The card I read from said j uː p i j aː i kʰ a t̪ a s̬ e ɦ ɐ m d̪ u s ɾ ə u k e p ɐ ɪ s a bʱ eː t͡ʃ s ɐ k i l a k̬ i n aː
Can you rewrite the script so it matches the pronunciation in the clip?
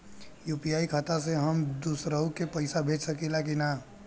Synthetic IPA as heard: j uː p i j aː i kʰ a t̪ a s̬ e ɦ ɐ m d̪ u s ɾ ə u k e p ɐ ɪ s a bʱ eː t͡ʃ s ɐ k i l a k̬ i n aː